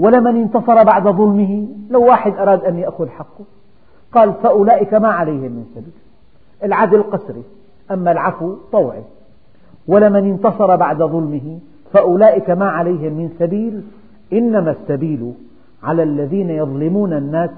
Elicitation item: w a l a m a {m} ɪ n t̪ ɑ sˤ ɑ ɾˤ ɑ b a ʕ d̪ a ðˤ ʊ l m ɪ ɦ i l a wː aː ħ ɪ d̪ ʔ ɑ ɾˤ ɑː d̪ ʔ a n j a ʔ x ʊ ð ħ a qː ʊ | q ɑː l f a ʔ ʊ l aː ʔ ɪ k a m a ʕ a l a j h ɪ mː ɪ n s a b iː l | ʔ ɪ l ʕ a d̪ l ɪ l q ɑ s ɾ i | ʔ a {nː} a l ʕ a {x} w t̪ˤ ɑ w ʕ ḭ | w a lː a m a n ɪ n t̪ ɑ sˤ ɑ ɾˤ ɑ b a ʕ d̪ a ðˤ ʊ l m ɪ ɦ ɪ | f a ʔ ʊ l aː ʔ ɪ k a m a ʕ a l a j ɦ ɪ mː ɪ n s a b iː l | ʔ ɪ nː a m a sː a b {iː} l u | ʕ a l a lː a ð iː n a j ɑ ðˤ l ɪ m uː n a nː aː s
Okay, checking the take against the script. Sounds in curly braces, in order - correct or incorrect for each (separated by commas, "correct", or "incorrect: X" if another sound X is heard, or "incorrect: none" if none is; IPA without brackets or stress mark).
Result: incorrect: n, incorrect: mː, incorrect: f, correct